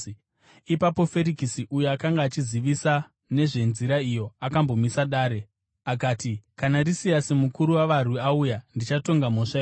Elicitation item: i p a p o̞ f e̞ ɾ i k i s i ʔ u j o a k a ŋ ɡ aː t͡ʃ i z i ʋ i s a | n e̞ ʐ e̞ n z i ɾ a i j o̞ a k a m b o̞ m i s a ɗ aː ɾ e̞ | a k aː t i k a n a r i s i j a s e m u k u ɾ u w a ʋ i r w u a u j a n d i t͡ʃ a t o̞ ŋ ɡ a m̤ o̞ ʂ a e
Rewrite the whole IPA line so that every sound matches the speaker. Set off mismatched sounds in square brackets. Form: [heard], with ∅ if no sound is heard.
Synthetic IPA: i p a p o̞ f e̞ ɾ i k i s i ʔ u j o a k a ŋ ɡ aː t͡ʃ i z i ʋ i s a | n e̞ ʐ e̞ n z i ɾ a i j o̞ a k a m b o̞ m i s a ɗ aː ɾ e̞ | a k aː t i k a n a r i s i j a s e m u k u ɾ u w a ʋ [a] r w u a u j a n d i t͡ʃ a t o̞ ŋ ɡ a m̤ o̞ ʂ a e